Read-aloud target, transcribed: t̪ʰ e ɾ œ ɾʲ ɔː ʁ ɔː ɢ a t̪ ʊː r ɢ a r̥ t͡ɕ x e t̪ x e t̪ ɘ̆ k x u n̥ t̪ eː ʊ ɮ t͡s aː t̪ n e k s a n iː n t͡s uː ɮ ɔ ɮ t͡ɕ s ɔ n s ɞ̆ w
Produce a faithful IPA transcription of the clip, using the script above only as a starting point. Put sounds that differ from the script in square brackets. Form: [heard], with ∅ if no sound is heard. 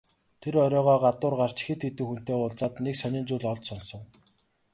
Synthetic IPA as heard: t̪ʰ e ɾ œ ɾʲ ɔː ʁ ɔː ɢ a t̪ ʊː r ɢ a r̥ t͡ɕ x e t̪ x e t̪ ɘ̆ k x u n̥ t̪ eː ʊ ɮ t͡s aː t̪ n e k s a n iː n t͡s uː ɮ ɔ ɮ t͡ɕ s ɔ n s ɞ̆ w